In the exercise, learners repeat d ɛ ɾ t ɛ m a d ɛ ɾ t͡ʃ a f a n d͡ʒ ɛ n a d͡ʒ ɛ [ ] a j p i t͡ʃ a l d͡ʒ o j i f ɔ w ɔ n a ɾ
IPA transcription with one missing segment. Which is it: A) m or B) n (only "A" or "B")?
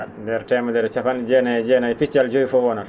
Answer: B